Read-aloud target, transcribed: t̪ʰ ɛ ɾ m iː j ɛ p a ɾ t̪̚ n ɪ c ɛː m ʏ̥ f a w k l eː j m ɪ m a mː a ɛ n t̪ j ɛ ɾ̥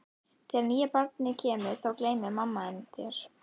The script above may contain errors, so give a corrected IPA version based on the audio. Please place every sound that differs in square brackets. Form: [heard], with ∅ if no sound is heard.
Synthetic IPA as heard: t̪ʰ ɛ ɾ [n] iː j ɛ p a ɾ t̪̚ n ɪ [cʰ] ɛː m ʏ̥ [θ] a w k l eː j m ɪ m a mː a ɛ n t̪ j ɛ ɾ̥